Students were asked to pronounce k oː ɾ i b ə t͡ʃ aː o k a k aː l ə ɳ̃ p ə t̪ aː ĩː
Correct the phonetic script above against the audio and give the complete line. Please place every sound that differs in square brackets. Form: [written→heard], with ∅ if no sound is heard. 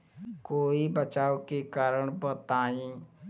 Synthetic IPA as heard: k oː [ɾ→∅] i b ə t͡ʃ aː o k [a→e] k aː [l→ɾ] ə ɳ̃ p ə t̪ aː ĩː